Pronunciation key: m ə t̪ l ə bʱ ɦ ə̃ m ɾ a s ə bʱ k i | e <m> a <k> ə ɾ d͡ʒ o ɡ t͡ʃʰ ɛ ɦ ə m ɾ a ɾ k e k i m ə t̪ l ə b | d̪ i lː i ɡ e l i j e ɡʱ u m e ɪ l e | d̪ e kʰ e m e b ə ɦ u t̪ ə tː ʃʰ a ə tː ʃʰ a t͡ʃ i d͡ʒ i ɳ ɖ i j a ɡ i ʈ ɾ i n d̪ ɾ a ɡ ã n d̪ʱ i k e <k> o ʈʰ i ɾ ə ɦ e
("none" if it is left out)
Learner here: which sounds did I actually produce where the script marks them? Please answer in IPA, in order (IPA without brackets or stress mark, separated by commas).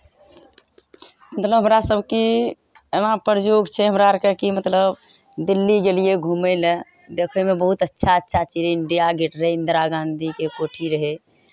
n, p, k